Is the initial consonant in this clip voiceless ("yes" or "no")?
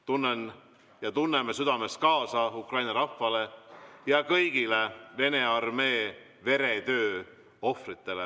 yes